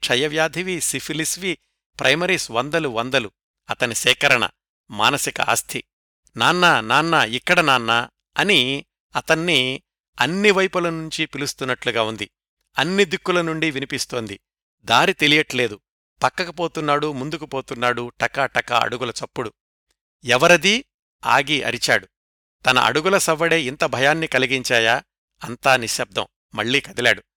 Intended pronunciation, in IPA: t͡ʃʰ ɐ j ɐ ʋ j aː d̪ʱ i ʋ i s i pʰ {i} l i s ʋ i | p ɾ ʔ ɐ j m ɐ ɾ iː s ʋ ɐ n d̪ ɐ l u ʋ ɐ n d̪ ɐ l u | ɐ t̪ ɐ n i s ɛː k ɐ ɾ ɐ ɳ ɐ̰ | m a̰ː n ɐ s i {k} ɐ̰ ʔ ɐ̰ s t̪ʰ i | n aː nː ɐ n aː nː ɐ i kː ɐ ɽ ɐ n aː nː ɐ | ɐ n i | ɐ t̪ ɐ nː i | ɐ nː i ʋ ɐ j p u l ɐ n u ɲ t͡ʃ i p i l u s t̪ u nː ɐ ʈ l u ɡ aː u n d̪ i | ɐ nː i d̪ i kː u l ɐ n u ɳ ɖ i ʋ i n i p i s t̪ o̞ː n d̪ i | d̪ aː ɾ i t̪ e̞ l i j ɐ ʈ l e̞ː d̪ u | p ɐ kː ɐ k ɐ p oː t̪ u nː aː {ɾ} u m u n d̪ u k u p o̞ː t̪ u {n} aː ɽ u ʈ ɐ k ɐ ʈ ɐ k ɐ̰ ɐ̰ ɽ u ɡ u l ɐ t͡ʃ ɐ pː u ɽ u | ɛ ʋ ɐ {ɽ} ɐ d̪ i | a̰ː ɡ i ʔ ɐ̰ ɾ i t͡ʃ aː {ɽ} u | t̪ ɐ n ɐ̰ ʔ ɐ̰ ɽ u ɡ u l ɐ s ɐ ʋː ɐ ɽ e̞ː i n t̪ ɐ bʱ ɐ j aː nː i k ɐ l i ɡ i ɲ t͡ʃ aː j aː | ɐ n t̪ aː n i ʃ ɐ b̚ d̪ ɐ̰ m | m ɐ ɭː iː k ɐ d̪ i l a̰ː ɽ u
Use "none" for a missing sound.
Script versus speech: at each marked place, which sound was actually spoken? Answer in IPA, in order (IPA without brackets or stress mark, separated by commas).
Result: i, k, ɽ, nː, ɾ, ɽ